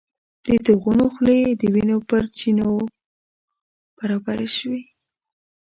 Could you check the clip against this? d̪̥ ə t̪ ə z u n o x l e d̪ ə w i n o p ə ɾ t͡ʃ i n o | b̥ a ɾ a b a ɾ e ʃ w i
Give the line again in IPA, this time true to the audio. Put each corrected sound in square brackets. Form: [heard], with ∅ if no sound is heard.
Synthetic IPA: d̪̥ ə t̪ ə [ɣ] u n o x l e d̪ ə w i n o p ə ɾ t͡ʃ i n o | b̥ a ɾ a b a ɾ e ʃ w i